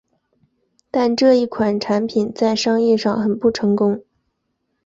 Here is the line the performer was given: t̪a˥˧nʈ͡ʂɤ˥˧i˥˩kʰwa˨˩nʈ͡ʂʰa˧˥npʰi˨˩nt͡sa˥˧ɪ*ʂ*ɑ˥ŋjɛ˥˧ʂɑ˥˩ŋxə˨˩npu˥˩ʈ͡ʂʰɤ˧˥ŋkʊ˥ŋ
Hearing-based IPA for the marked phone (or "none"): ʂ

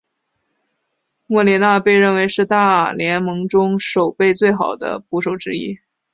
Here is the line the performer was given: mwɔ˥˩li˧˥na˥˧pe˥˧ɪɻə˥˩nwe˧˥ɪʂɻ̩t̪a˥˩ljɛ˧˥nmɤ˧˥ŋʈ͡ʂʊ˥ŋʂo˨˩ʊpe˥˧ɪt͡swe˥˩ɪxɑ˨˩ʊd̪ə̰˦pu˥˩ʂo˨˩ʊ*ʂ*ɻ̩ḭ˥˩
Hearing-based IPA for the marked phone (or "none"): ʈ͡ʂ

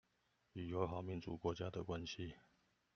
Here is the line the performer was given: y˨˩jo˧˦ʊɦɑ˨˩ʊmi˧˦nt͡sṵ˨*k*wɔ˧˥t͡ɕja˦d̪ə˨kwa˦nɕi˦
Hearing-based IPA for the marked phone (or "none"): k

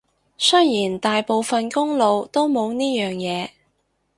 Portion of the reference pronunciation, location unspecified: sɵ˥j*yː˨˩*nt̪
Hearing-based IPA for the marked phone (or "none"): iː˨˩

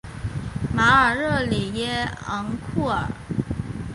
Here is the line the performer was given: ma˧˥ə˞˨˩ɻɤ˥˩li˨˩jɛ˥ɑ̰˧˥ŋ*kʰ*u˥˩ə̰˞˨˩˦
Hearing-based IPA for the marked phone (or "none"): kʰ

